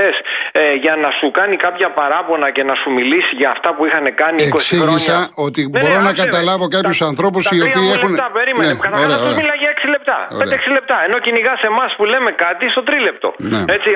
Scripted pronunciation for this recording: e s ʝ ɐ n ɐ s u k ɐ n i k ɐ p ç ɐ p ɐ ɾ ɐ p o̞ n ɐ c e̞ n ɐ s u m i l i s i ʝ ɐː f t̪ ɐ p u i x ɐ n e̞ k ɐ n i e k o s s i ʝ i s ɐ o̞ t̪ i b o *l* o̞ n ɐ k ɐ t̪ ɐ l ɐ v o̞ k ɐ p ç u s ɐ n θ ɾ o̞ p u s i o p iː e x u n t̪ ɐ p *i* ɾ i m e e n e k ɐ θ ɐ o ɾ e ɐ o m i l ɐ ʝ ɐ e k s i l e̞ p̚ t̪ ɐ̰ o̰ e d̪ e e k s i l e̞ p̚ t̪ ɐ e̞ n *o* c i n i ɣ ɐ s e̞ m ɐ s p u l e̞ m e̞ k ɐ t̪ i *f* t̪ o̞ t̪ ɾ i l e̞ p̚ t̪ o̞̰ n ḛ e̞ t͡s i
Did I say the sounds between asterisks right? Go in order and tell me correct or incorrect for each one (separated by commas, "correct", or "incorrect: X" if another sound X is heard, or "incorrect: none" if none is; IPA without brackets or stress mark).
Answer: incorrect: ɾ, incorrect: e, correct, incorrect: s